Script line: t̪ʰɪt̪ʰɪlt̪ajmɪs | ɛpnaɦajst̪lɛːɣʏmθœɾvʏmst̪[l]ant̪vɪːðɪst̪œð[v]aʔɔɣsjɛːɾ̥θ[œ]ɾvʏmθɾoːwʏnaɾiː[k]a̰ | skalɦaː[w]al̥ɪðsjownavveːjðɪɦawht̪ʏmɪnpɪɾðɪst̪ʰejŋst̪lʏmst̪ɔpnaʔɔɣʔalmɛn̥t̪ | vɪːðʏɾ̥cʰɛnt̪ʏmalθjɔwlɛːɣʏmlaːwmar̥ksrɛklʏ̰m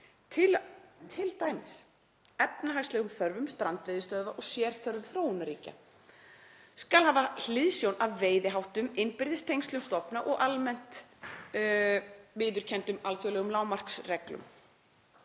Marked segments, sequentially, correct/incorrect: incorrect, correct, correct, incorrect, incorrect

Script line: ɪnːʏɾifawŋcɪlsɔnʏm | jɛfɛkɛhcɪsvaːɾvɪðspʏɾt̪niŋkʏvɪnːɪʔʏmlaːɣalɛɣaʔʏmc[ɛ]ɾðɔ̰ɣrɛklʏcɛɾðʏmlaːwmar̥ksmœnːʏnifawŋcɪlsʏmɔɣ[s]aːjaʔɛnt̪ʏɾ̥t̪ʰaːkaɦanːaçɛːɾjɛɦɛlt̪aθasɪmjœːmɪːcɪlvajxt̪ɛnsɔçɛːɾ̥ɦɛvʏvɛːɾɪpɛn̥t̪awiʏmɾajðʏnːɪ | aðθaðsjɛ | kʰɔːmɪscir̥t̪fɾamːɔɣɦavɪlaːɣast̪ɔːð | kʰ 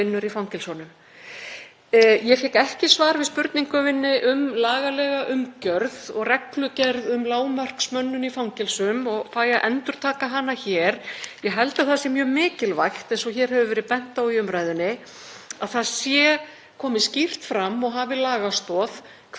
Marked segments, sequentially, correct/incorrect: incorrect, incorrect

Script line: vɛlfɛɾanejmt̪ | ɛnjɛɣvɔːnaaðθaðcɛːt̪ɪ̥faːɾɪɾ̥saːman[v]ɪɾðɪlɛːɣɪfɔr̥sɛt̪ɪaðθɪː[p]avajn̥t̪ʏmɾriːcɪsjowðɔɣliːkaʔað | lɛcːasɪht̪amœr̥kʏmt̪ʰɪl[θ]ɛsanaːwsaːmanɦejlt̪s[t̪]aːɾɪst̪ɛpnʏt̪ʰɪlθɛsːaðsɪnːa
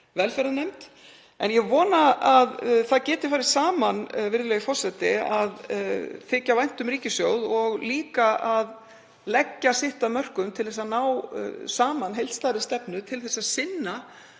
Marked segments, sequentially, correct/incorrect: correct, incorrect, correct, correct

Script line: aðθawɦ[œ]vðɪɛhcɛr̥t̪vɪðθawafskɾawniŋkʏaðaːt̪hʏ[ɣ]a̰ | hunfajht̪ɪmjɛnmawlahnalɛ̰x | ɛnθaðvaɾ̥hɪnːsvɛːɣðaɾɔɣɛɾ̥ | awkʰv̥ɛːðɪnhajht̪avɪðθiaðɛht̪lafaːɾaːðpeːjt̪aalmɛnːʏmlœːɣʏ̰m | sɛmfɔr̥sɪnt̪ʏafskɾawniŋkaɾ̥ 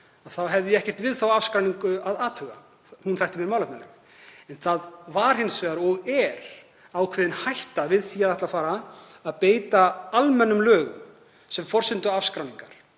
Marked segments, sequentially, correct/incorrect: incorrect, correct

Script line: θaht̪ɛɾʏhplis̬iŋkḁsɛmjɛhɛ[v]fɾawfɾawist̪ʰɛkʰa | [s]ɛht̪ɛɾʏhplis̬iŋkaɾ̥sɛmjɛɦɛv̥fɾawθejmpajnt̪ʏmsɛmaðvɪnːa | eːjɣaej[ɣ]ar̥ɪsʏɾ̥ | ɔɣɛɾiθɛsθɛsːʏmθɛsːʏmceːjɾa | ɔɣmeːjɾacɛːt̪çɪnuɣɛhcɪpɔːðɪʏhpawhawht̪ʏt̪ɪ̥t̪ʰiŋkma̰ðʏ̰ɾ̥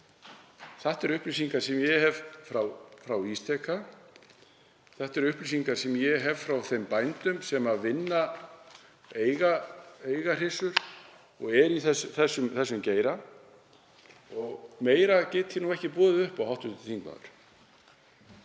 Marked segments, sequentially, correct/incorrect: correct, incorrect, correct

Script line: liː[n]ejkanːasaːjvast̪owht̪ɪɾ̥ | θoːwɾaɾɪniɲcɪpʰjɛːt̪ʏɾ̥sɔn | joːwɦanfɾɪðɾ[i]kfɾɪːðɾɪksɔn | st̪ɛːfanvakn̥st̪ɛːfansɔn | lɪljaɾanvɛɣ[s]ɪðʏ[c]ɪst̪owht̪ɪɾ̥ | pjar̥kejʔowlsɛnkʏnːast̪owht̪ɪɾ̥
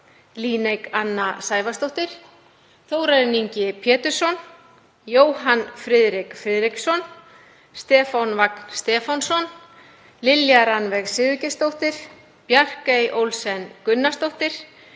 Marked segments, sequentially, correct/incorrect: correct, incorrect, correct, correct

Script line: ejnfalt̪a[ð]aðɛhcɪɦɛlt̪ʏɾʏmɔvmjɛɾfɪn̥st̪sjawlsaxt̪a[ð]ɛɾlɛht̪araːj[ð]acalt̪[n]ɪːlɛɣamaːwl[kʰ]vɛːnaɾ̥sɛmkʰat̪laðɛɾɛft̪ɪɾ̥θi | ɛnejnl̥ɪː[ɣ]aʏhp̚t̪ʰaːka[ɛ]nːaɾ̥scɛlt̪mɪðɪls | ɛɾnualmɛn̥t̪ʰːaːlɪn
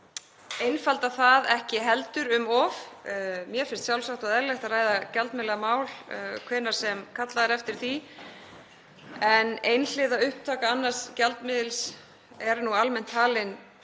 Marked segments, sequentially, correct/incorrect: incorrect, correct, correct, incorrect, correct, incorrect, incorrect

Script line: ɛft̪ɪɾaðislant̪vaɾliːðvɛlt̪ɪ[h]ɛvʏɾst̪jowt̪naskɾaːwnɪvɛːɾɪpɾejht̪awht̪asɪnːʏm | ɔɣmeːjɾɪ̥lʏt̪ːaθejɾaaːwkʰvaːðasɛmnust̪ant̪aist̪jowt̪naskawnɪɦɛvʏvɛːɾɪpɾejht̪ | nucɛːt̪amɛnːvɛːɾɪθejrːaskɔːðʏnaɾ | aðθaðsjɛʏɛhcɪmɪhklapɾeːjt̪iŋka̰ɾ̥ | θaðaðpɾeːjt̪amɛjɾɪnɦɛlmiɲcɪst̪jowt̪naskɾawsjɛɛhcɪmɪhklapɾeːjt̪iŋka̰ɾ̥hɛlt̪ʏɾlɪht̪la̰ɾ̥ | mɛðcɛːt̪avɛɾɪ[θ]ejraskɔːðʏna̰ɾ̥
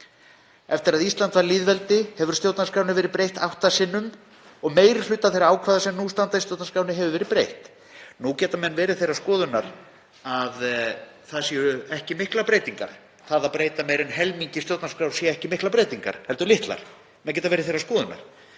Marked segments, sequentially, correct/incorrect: correct, correct

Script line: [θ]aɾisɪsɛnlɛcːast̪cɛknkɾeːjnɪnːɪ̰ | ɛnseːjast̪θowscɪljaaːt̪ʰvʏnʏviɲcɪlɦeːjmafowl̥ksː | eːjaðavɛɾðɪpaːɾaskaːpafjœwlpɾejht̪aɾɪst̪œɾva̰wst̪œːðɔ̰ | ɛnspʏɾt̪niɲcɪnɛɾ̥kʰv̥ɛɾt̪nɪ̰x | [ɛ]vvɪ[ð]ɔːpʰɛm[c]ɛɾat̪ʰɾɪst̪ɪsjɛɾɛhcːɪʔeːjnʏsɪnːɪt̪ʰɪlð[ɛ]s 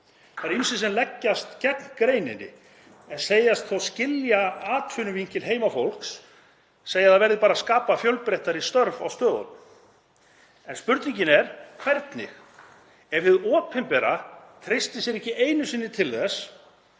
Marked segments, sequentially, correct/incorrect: correct, correct, correct, incorrect, correct

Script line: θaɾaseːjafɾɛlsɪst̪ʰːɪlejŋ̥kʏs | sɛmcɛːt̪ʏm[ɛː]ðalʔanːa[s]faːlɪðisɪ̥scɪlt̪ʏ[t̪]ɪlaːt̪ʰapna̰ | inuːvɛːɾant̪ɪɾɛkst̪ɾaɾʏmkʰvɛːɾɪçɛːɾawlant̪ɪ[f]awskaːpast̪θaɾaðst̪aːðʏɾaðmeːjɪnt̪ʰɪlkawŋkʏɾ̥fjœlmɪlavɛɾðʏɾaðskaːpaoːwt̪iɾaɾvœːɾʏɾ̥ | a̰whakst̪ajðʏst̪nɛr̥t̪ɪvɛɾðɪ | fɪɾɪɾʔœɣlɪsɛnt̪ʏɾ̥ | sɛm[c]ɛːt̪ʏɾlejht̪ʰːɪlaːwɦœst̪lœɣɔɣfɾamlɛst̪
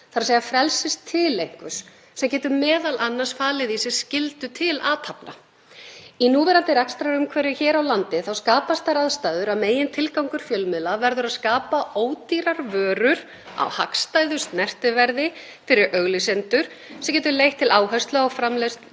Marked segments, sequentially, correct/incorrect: correct, correct, incorrect, incorrect, correct

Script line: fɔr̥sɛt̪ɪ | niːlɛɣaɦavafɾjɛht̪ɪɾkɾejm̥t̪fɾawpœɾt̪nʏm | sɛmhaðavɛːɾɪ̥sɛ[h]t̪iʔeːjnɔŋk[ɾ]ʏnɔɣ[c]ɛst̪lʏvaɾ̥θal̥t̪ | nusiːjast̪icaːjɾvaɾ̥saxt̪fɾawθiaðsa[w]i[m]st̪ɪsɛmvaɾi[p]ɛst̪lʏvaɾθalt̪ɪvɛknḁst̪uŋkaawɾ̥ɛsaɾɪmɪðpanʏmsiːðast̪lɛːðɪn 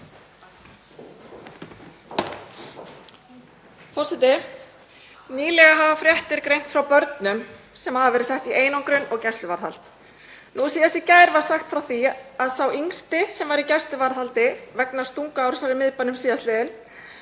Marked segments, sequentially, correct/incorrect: correct, correct, correct, correct, incorrect, incorrect

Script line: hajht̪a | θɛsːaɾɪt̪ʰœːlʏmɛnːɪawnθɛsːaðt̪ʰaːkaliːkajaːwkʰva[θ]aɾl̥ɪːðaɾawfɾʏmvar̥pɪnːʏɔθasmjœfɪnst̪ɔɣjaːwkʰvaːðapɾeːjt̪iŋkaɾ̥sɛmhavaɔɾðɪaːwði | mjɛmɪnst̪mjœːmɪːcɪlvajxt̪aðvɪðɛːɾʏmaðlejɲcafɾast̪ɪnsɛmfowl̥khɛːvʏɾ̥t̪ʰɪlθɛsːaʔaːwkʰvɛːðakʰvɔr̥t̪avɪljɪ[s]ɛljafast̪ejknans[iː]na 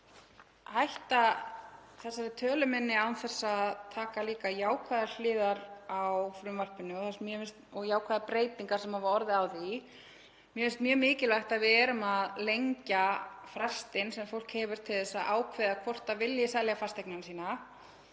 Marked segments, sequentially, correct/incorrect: incorrect, correct, correct

